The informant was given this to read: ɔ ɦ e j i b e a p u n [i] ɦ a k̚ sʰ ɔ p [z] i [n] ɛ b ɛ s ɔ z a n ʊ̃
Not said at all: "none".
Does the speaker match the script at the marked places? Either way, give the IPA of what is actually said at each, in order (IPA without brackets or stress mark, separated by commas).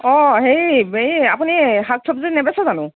i, z, n